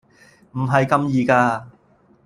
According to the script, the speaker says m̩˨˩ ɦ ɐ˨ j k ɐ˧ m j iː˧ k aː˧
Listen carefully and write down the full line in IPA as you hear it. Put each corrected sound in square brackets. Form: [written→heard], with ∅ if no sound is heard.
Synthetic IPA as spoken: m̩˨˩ ɦ ɐ˨ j k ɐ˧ m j iː˧ k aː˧